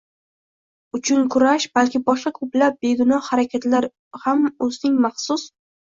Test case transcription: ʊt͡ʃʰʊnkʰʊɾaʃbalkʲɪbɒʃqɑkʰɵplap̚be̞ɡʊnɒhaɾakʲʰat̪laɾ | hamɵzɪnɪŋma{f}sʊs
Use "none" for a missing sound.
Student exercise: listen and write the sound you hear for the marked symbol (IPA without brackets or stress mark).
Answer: χ